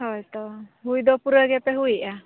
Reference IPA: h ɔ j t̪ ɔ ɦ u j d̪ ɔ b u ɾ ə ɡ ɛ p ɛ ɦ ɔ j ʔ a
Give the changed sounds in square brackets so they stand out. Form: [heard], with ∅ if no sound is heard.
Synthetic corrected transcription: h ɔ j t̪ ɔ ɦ u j d̪ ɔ [p] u ɾ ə ɡ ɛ p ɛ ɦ [u] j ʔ a